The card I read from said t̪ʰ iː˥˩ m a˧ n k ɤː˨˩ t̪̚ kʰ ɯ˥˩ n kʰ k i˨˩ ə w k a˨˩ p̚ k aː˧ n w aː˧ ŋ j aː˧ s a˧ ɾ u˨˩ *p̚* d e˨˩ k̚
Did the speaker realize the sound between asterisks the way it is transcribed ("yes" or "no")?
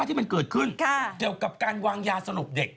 yes